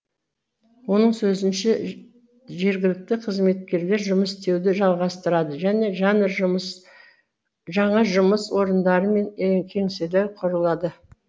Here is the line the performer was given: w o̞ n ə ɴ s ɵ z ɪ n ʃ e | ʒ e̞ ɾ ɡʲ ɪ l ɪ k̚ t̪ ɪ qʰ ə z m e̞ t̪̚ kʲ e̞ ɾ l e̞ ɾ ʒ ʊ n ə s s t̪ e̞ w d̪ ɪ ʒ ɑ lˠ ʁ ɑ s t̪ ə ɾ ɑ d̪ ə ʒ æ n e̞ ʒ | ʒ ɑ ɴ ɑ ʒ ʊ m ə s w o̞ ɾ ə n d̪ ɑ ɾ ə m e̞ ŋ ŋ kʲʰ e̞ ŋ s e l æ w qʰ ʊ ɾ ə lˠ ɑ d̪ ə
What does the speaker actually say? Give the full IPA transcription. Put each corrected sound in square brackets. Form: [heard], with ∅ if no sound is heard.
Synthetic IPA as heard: w o̞ n ə ɴ s ɵ z ɪ n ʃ e | ʒ e̞ ɾ ɡʲ ɪ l ɪ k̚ t̪ ɪ qʰ ə z m e̞ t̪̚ kʲ e̞ ɾ l e̞ ɾ ʒ ʊ [m] ə s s t̪ e̞ w d̪ ɪ ʒ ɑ lˠ ʁ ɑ s t̪ ə ɾ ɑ d̪ ə ʒ æ n e̞ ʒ | ʒ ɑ ɴ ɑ ʒ ʊ m ə s w o̞ ɾ ə n d̪ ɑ ɾ ə m e̞ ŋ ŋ kʲʰ e̞ ŋ s e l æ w qʰ ʊ ɾ ə lˠ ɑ d̪ ə